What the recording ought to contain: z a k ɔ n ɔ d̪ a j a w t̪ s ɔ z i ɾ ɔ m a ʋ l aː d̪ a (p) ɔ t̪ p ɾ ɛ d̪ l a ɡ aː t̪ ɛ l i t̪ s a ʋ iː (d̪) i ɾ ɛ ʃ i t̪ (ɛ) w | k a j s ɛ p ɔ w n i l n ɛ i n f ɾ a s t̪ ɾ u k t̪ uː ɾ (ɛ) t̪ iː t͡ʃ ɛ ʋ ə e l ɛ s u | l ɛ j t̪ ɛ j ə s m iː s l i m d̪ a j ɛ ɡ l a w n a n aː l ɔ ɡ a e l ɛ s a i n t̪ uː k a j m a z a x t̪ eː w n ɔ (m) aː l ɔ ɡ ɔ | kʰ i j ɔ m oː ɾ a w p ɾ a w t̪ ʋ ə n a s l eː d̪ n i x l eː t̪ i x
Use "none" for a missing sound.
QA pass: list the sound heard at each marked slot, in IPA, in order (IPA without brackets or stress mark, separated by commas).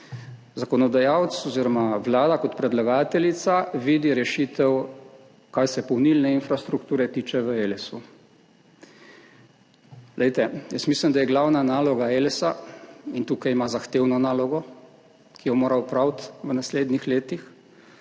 k, d̪, ɛ, ɛ, n